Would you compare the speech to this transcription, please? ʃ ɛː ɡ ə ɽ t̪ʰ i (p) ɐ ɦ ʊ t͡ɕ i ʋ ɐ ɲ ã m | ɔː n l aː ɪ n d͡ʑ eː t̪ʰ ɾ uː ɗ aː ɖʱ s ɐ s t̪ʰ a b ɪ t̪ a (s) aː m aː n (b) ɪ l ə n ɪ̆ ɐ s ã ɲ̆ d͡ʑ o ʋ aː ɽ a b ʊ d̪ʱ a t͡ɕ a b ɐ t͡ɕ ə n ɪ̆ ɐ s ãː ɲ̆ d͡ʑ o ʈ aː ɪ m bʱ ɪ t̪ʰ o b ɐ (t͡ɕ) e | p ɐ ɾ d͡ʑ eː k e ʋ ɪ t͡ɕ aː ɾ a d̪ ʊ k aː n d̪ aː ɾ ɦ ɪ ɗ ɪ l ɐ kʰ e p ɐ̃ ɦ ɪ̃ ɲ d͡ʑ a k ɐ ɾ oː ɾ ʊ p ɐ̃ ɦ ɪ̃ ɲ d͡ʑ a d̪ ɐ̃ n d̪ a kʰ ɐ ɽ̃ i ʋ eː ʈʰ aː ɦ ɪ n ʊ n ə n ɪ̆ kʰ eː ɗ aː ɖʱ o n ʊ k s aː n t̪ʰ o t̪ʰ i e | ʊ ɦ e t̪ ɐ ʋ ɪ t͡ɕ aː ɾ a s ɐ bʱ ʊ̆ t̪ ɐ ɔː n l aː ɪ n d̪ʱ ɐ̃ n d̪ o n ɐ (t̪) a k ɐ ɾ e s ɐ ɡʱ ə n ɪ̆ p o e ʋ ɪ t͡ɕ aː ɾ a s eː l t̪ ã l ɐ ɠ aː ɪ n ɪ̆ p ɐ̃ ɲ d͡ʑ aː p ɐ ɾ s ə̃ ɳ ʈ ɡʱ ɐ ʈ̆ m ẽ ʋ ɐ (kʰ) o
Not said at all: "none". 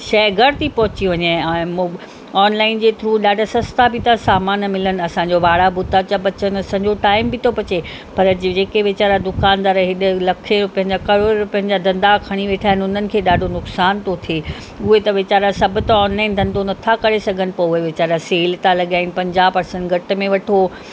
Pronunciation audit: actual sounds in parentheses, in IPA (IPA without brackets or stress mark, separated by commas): p, s, m, t͡ɕ, t̪ʰ, ʈʰ